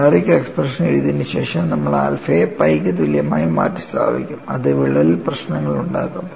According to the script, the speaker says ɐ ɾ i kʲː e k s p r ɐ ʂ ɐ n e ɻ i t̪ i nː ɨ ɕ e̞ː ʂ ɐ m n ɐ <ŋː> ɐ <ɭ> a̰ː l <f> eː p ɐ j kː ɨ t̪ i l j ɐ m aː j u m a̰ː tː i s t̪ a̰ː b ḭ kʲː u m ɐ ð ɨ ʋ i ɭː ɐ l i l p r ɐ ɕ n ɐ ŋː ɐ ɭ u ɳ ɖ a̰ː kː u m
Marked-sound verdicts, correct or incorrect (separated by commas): incorrect, correct, correct